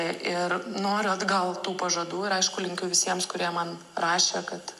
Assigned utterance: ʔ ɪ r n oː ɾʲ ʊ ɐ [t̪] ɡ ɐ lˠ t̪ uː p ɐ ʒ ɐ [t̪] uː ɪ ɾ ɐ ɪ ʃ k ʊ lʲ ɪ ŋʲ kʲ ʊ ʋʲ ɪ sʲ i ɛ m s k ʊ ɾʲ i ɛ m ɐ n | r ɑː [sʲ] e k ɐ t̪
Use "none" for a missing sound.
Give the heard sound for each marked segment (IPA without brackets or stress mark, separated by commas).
d̪, d̪, ʃʲ